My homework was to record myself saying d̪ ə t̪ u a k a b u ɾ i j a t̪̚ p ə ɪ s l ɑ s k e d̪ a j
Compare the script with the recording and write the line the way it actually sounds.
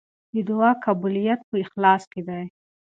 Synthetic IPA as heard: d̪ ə d̪ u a k a b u l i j a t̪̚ p ə ɪ x l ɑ s k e d̪ a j